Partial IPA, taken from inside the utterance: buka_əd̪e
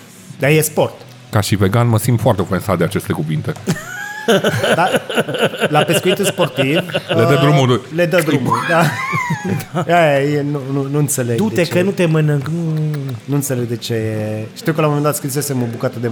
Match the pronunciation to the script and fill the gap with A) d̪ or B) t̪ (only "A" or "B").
B